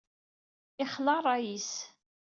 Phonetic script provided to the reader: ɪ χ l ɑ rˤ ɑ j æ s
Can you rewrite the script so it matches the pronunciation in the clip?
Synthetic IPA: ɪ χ l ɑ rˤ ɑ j i s